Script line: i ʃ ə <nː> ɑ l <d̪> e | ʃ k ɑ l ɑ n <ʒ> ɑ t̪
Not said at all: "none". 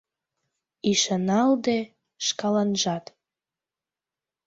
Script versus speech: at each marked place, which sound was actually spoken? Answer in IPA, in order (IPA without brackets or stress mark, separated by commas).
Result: n, d̪, ʒ